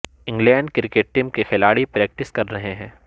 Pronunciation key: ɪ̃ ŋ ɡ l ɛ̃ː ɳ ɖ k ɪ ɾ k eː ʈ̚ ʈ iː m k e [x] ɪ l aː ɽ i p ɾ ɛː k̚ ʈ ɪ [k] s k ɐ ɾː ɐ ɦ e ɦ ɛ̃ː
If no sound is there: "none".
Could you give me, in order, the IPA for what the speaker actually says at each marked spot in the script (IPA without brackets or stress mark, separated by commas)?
x, none